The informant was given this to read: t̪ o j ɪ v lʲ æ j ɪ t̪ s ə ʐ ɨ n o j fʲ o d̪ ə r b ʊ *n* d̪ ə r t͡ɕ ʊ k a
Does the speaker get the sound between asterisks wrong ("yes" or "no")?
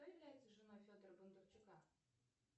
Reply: no